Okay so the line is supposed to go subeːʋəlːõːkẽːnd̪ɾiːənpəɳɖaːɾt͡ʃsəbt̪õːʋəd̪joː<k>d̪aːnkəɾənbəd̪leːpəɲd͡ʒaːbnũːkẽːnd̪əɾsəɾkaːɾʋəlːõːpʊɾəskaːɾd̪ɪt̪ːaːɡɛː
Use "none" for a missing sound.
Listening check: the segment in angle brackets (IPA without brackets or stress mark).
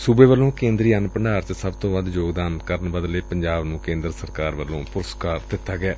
ɡ